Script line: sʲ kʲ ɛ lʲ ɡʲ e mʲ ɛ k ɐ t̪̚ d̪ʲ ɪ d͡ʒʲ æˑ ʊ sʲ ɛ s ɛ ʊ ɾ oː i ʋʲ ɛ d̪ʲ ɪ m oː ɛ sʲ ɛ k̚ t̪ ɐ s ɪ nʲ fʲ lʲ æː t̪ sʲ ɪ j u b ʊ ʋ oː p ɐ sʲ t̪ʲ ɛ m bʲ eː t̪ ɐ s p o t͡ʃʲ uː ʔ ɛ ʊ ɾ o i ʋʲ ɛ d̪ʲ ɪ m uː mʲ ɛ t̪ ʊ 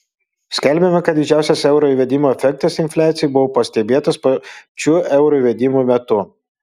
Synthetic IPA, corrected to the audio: sʲ kʲ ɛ lʲ bʲ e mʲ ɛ k ɐ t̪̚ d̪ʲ ɪ d͡ʒʲ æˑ ʊ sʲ ɛ s ɛ ʊ ɾ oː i ʋʲ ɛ d̪ʲ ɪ m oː ɛ fʲ ɛ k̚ t̪ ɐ s ɪ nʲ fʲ lʲ æː t̪ sʲ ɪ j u b ʊ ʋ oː p ɐ sʲ t̪ʲ ɛ bʲ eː t̪ ɐ s p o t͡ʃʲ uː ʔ ɛ ʊ ɾ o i ʋʲ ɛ d̪ʲ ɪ m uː mʲ ɛ t̪ ʊ